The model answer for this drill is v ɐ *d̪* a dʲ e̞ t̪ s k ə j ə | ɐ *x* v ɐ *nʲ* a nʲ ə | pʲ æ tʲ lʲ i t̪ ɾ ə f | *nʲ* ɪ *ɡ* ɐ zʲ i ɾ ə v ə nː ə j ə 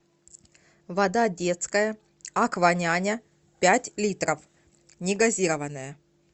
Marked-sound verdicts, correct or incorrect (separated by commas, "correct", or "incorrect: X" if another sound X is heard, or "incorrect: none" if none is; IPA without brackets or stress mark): correct, incorrect: k, correct, correct, correct